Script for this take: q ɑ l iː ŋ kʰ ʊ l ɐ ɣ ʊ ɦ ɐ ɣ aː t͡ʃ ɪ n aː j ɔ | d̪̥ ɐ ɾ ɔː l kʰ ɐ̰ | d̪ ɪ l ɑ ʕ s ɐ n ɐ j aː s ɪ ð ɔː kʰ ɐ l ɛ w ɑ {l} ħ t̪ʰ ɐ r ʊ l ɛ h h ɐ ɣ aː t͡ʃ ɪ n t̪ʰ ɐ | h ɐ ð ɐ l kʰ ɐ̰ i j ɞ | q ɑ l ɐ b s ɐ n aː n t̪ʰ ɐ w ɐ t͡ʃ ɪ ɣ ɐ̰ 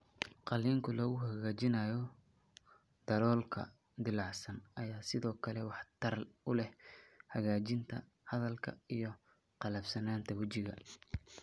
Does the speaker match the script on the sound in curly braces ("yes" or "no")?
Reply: no